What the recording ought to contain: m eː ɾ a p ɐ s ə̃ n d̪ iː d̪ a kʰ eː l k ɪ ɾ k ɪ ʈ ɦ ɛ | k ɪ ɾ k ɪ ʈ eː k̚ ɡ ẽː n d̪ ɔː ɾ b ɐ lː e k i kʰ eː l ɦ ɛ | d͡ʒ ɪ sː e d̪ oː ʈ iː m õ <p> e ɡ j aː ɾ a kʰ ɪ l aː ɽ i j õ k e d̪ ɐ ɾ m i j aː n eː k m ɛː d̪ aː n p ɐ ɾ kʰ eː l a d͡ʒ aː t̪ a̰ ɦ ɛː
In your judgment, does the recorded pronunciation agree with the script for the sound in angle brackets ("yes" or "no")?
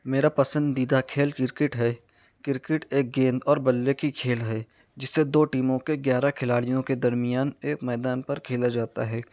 no